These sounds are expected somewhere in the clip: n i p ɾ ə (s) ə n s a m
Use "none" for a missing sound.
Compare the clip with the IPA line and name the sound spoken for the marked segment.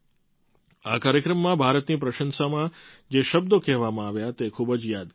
ʃ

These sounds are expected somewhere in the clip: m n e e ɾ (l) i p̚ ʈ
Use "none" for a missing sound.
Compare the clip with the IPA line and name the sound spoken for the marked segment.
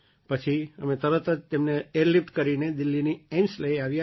l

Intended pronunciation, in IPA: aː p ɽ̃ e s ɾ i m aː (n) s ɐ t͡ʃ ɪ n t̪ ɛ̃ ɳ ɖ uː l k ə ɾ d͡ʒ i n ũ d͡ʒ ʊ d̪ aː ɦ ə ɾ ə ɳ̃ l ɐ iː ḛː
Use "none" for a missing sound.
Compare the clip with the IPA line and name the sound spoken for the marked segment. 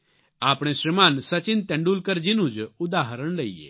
n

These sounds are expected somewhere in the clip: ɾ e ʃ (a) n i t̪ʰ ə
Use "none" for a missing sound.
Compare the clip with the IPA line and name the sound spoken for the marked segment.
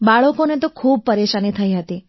a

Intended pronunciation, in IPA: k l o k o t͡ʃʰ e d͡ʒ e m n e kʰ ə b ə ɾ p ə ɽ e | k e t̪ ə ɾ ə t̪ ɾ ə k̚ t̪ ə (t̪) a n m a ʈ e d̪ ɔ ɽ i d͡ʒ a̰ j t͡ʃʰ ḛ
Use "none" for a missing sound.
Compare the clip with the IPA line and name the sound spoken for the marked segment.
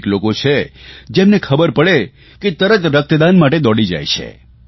d̪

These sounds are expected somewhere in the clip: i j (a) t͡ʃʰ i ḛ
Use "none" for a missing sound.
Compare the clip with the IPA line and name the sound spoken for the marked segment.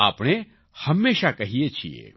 e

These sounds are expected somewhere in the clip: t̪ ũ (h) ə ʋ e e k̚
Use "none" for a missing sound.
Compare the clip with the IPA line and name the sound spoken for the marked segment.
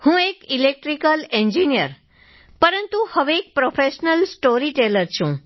h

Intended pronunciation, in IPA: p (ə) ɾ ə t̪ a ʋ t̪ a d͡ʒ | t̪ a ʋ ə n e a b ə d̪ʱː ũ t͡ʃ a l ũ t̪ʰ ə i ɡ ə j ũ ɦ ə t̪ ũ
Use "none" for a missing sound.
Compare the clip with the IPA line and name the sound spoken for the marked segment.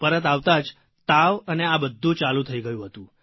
ə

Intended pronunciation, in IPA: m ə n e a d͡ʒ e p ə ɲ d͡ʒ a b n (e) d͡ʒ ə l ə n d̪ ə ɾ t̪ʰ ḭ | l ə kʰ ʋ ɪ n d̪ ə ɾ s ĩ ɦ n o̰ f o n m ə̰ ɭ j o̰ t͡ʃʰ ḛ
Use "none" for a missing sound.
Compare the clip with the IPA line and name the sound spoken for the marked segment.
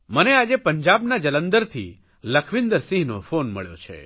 a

